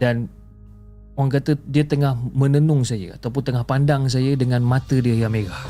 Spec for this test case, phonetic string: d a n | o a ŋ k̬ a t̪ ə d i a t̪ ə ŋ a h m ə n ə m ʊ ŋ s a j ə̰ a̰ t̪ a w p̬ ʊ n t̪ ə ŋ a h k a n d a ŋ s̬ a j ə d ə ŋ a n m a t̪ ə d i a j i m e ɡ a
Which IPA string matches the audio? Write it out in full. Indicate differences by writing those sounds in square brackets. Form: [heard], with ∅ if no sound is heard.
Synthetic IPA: d a n | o a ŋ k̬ a t̪ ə d i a t̪ ə ŋ a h m ə n ə [n] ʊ ŋ s a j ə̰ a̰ t̪ a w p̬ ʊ n t̪ ə ŋ a h [p] a n d a ŋ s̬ a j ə d ə ŋ a n m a t̪ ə d i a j [a] m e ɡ a